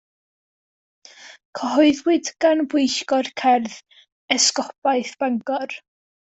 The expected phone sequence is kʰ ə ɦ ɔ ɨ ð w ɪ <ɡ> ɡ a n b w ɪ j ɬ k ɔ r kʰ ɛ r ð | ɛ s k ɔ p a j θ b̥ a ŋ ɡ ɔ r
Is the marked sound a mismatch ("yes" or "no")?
yes